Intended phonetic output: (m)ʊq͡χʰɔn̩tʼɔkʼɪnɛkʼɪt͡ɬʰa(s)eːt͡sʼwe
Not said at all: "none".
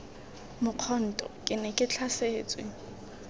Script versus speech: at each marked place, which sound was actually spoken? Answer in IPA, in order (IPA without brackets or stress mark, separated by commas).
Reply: m, s